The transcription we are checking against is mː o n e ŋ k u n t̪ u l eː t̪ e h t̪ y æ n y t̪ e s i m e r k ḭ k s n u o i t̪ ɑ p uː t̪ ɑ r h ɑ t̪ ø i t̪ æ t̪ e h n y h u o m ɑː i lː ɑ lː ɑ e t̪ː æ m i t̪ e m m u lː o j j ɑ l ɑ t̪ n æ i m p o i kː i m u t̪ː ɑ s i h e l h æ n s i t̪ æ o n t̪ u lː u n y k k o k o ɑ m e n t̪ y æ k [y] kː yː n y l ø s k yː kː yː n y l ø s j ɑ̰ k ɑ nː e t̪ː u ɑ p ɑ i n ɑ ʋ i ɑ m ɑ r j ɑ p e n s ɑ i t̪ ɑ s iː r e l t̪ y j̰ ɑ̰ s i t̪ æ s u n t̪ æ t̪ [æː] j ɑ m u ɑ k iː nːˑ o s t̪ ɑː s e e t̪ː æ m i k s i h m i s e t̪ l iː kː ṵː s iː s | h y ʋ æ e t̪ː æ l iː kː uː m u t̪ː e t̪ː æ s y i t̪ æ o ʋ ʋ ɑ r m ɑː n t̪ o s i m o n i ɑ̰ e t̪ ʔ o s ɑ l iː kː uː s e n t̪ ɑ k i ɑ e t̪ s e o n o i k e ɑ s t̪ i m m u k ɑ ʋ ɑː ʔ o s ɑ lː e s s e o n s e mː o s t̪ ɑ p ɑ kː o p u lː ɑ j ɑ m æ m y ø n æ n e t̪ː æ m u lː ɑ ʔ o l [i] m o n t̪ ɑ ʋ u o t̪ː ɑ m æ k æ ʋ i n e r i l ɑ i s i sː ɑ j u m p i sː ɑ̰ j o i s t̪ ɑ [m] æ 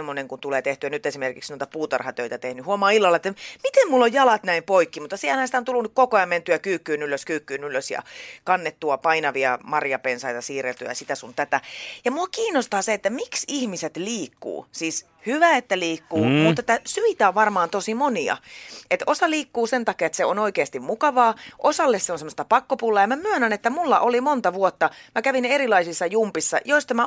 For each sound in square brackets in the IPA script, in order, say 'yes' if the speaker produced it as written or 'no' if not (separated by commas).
no, no, yes, yes